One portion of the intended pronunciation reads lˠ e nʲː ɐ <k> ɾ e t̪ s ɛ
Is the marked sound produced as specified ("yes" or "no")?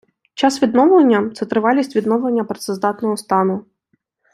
no